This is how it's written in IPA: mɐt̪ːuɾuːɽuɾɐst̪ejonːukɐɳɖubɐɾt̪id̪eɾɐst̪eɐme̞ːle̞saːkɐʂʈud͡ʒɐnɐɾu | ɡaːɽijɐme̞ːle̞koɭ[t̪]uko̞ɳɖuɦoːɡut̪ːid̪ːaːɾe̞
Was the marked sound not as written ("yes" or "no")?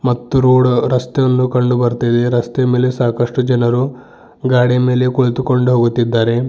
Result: no